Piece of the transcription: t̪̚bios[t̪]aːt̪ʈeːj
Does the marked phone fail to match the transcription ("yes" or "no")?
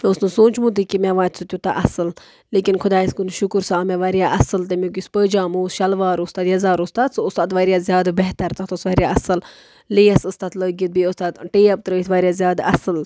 no